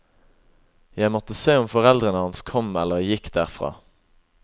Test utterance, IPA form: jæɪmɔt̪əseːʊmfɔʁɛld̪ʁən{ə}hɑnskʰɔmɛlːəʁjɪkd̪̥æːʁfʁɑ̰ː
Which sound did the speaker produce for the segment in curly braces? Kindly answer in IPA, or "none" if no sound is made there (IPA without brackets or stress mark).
ə